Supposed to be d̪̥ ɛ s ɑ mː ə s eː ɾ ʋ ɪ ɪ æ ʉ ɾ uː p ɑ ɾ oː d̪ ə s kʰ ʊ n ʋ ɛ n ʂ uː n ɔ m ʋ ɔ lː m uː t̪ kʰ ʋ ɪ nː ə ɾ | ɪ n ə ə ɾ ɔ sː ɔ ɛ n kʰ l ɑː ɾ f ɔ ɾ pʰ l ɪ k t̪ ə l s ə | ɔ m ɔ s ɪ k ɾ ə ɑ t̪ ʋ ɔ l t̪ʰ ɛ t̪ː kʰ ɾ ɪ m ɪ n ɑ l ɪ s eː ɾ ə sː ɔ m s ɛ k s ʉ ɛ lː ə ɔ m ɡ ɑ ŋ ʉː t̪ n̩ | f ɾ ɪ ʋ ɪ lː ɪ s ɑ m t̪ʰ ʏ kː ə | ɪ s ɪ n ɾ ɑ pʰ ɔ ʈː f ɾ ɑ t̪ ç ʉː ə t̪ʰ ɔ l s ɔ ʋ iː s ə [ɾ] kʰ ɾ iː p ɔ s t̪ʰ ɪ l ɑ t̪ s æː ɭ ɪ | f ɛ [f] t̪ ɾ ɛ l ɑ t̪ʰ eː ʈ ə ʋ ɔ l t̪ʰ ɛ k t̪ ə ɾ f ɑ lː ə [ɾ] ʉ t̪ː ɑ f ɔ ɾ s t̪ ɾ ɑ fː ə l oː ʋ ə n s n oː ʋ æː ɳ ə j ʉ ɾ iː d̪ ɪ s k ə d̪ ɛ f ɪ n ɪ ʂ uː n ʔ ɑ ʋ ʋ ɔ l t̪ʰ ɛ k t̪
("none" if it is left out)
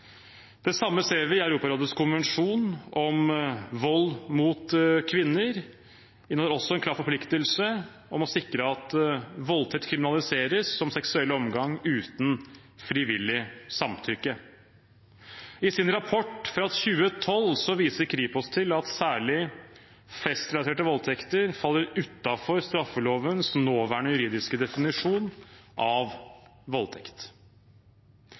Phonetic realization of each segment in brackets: ɾ, s, ɾ

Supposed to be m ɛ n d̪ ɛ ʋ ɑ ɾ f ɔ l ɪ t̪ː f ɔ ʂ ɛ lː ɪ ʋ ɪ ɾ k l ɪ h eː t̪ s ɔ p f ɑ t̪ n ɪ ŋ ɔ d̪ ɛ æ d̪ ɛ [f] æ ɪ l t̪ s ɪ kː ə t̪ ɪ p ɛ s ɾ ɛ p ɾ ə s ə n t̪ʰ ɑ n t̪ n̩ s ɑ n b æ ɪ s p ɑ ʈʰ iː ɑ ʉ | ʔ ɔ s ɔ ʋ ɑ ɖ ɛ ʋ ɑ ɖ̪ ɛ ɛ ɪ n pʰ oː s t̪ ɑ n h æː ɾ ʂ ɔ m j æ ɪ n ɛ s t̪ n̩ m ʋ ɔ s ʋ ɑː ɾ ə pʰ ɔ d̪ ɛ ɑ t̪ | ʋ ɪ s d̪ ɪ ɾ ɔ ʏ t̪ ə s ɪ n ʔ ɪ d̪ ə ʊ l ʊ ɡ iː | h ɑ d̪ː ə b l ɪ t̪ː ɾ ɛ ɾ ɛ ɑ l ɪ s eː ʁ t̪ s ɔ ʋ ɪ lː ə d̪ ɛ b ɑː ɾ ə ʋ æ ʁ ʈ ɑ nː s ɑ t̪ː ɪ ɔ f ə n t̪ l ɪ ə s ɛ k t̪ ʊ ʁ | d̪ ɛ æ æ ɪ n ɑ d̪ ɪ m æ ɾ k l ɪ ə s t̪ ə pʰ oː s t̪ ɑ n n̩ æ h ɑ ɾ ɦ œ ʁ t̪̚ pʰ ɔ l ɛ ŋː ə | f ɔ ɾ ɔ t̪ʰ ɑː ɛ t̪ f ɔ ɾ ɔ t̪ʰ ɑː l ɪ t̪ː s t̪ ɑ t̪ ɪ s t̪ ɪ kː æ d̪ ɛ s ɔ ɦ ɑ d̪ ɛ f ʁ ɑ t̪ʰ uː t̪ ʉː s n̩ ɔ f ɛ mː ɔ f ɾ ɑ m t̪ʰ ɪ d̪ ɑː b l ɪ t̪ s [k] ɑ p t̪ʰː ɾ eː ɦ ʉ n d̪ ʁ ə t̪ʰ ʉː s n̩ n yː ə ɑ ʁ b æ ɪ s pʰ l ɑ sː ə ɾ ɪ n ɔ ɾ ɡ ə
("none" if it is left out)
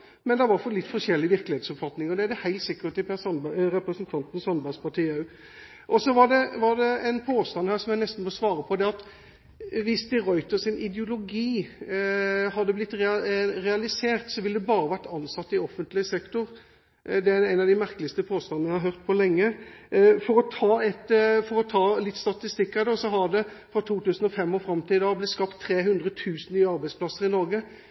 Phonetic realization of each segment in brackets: h, k

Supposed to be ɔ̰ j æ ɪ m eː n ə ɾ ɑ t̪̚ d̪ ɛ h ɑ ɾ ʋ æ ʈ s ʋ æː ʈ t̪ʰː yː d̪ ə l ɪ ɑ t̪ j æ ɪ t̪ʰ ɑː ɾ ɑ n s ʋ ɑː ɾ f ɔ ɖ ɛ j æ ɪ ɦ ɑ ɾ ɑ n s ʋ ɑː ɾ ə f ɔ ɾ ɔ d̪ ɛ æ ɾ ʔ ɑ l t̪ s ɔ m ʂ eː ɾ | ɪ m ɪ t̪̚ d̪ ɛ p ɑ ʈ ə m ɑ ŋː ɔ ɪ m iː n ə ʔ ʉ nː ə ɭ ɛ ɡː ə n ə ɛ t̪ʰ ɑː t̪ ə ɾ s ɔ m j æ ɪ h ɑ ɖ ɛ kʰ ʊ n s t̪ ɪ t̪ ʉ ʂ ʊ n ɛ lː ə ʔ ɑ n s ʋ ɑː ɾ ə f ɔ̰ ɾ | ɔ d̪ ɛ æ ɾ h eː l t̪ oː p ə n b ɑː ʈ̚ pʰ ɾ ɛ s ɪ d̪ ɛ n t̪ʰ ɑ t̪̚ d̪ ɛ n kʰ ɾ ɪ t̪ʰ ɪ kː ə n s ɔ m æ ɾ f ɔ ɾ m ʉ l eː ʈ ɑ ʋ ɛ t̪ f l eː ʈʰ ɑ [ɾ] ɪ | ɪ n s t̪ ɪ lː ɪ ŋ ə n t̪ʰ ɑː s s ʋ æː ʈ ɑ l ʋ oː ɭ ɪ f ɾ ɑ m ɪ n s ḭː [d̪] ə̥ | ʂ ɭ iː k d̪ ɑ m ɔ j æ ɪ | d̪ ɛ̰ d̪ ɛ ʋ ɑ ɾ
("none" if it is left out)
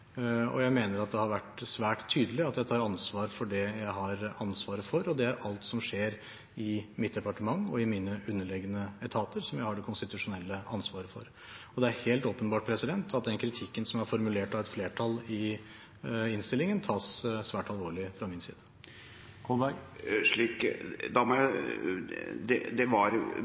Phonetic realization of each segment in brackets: l, d̪

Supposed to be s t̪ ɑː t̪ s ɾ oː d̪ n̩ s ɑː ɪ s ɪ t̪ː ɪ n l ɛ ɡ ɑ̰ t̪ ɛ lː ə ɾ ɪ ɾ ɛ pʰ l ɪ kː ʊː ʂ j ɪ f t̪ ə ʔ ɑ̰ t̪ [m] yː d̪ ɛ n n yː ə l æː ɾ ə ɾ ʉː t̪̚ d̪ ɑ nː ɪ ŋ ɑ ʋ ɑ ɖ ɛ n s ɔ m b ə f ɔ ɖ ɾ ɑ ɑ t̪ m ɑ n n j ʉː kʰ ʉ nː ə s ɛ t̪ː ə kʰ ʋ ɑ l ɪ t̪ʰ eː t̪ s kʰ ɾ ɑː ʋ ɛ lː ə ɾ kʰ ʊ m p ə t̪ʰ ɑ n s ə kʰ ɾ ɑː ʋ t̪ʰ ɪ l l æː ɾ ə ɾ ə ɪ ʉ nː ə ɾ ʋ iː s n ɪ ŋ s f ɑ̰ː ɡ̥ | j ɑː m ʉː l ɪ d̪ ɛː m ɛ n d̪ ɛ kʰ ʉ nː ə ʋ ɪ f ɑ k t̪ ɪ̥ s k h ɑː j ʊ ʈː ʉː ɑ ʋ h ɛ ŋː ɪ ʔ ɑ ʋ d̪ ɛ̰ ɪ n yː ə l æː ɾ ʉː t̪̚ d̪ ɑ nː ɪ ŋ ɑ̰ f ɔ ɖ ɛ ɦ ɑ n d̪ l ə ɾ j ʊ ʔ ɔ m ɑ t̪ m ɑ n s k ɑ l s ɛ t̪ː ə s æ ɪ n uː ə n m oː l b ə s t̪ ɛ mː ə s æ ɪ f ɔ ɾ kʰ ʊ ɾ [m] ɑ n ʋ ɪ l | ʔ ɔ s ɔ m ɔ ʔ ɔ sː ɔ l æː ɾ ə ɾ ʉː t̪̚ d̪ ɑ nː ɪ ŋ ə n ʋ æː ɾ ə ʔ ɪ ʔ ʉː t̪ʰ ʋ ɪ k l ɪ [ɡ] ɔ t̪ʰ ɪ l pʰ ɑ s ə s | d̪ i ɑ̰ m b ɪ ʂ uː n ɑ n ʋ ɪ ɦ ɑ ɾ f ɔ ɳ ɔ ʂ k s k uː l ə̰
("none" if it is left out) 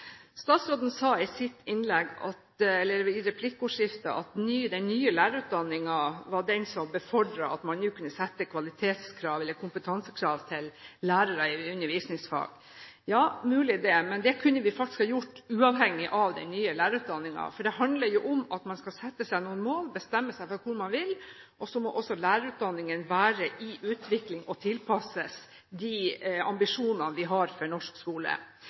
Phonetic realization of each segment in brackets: n, m, ŋ

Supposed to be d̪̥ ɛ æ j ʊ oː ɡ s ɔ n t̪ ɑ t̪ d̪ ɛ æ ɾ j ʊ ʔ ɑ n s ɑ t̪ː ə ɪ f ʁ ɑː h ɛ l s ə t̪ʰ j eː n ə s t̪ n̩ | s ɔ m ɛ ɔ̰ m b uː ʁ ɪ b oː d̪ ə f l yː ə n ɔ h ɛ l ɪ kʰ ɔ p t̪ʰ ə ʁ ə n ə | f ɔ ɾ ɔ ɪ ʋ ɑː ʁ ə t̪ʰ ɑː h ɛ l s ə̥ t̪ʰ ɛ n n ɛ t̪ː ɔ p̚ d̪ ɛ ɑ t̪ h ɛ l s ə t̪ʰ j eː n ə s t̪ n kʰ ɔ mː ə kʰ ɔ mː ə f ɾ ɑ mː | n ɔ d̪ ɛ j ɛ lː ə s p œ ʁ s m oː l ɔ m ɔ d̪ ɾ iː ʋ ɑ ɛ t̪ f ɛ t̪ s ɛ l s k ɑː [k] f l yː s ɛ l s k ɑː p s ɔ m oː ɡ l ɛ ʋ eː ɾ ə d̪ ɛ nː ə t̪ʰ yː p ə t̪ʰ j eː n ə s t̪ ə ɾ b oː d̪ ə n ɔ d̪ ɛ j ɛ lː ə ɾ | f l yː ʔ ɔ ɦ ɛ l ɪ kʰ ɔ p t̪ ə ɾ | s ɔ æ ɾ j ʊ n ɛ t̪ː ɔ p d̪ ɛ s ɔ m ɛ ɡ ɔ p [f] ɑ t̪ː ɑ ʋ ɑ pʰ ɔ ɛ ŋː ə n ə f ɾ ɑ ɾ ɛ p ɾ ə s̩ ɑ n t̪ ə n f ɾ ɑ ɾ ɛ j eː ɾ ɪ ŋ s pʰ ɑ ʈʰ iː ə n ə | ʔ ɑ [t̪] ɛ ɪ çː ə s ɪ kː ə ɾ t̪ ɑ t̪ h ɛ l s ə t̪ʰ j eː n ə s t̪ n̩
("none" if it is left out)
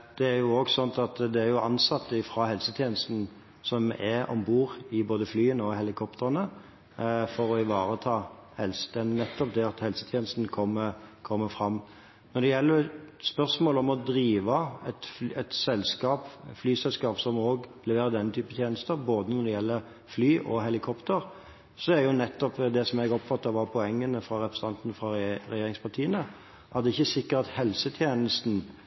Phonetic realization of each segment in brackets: p, f, d̪

